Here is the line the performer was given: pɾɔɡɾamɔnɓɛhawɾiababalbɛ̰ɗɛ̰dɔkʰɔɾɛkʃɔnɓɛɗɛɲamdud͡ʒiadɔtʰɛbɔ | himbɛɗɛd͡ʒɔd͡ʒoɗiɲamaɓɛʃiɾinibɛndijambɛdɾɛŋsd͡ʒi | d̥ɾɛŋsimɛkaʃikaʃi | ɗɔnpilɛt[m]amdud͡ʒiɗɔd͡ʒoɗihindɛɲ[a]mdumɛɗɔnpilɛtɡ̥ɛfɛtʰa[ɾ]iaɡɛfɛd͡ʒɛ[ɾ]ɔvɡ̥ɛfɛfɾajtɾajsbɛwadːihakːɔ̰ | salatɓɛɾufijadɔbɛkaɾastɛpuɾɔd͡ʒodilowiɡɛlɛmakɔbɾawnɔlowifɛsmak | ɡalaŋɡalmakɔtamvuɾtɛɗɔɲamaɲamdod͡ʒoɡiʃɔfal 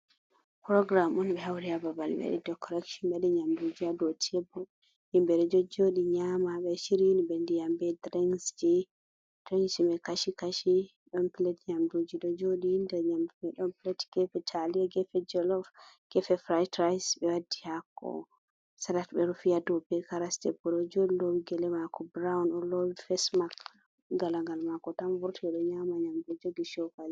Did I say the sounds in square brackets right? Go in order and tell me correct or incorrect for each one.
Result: incorrect, correct, incorrect, incorrect

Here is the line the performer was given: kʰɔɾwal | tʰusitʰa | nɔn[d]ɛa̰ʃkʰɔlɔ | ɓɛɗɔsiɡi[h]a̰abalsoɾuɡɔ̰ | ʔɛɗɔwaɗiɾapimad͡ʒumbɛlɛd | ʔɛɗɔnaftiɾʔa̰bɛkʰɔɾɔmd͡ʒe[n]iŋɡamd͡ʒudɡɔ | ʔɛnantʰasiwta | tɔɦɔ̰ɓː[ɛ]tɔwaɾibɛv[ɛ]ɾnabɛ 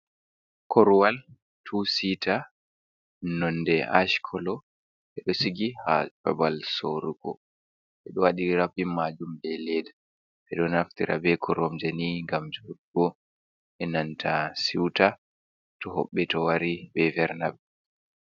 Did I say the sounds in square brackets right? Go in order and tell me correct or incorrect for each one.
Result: correct, correct, correct, correct, correct

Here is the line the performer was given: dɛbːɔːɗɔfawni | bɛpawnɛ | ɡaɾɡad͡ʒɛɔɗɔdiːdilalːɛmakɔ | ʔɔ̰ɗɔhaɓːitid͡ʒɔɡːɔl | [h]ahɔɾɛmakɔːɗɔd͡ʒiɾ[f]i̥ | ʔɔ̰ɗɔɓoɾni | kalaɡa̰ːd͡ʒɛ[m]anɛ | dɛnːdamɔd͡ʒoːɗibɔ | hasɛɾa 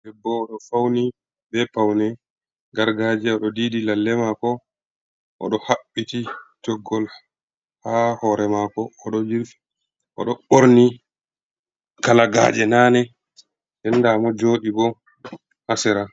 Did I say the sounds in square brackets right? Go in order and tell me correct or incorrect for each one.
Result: correct, correct, incorrect

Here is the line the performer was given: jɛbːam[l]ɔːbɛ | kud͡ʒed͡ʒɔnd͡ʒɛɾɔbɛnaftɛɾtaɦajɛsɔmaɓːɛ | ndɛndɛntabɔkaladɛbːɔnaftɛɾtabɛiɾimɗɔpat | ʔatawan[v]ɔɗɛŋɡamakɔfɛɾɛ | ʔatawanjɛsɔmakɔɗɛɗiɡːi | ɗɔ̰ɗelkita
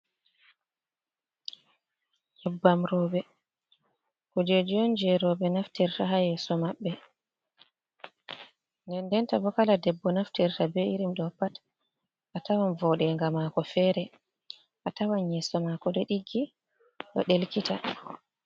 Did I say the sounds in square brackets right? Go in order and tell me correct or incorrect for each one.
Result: incorrect, correct

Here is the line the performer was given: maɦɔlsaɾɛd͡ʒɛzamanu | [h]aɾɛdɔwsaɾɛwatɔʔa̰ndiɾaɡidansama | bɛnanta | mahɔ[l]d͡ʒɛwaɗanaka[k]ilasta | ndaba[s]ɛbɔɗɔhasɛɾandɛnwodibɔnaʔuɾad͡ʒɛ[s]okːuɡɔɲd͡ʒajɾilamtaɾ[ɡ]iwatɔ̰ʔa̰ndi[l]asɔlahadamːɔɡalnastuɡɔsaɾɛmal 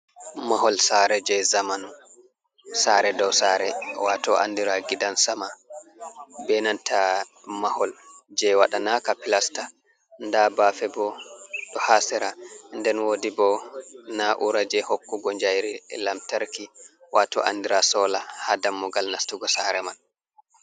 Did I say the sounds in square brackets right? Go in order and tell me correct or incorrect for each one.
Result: incorrect, correct, incorrect, incorrect, incorrect, incorrect, incorrect

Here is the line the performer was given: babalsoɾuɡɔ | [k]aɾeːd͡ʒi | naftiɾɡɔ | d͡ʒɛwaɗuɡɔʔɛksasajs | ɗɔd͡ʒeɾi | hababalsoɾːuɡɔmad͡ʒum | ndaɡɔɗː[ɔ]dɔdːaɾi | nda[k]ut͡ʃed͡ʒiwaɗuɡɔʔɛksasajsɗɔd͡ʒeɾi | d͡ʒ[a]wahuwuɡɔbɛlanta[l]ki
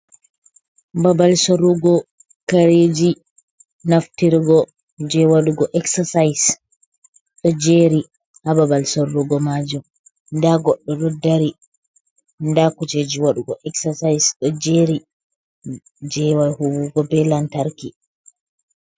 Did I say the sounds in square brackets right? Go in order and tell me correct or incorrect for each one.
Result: correct, correct, correct, incorrect, incorrect

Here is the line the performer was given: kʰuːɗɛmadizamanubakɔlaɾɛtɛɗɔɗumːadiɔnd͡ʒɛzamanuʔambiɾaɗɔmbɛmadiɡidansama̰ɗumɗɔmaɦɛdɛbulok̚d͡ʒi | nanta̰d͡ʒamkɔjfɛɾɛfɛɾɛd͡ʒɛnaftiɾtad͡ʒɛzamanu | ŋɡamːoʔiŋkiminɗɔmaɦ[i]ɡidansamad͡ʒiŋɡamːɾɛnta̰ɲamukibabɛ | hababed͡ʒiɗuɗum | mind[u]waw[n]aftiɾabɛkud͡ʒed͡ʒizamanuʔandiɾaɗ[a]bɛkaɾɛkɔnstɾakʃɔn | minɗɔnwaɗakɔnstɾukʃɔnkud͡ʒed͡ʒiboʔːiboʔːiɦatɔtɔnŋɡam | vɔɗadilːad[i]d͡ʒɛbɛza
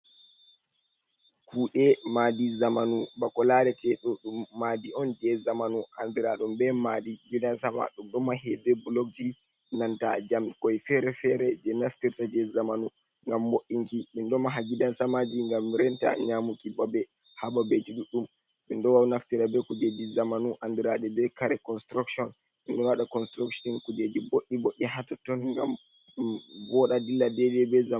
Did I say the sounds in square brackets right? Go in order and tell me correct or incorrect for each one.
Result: incorrect, incorrect, correct, incorrect, incorrect

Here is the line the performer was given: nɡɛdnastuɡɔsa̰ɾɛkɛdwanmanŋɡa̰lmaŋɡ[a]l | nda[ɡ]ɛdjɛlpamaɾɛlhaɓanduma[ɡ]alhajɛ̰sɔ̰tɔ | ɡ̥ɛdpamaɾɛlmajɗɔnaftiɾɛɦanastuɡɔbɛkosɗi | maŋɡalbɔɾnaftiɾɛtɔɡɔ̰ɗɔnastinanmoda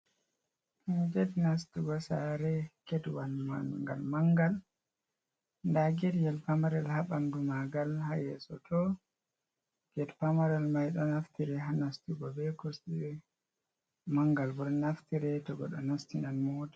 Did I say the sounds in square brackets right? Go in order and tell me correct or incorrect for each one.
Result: correct, correct, correct

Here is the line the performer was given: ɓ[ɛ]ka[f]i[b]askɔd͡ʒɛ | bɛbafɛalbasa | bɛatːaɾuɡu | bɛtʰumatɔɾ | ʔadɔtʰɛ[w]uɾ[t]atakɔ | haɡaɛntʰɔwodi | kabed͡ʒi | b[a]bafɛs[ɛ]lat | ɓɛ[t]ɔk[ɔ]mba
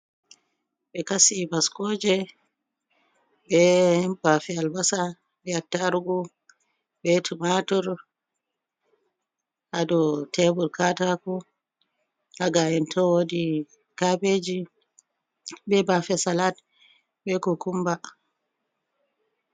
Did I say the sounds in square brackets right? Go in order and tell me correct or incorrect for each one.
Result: correct, incorrect, correct, incorrect, incorrect, incorrect, incorrect, incorrect, incorrect

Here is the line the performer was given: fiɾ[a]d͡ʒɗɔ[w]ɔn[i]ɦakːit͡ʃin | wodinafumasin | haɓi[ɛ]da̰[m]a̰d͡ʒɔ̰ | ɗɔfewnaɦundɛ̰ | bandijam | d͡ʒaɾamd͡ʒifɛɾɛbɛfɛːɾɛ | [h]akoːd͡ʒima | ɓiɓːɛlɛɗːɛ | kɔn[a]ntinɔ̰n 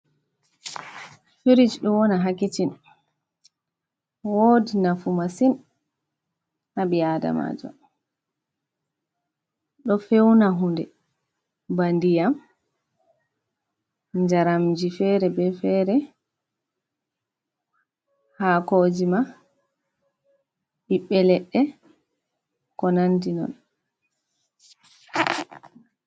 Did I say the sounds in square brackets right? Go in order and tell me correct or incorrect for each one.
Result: incorrect, correct, incorrect, incorrect, correct, correct, correct

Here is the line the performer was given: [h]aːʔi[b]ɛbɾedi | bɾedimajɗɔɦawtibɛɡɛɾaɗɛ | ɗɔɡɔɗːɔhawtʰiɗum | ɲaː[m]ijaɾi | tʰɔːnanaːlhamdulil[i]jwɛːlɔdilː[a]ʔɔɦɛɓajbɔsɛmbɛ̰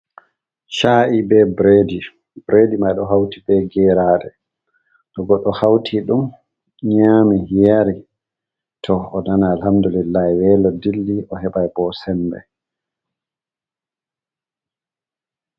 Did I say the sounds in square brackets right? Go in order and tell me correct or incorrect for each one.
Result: incorrect, correct, correct, incorrect, incorrect

